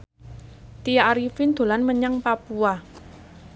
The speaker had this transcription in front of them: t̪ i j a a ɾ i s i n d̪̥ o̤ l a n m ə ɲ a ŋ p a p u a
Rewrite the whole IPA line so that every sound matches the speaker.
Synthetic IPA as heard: t̪ i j a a ɾ i f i n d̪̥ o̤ l a n m ə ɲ a ŋ p a p u a